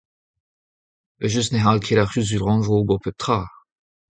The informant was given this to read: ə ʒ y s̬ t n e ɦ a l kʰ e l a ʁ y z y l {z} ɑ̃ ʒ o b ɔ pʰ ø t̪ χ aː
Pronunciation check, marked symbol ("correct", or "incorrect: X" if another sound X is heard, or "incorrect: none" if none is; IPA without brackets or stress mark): incorrect: ʁ